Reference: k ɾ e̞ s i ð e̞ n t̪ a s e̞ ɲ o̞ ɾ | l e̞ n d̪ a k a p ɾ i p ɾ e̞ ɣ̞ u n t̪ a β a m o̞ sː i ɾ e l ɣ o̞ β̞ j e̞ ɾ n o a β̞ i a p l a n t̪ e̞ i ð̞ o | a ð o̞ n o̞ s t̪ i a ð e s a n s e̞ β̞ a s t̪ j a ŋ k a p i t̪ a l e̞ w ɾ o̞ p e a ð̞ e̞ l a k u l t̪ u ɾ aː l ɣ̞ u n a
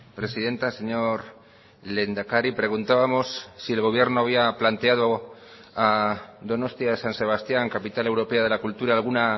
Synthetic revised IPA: p ɾ e̞ s i ð e̞ n t̪ a s e̞ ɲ o̞ ɾ | l e̞ n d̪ a k a ɾ i p ɾ e̞ ɣ̞ u n t̪ a β a m o̞ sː i e l ɣ o̞ β̞ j e̞ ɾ n o a β̞ i a p l a n t̪ e̞ a ð̞ o | a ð o̞ n o̞ s t̪ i a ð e s a n s e̞ β̞ a s t̪ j a ŋ k a p i t̪ a l e̞ w ɾ o̞ p e a ð̞ e̞ l a k u l t̪ u ɾ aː l ɣ̞ u n a